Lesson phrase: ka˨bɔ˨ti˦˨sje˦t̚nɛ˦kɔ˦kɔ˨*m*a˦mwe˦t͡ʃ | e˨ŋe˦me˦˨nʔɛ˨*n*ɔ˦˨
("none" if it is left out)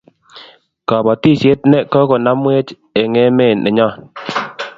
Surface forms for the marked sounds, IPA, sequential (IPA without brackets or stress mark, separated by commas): n, ɲ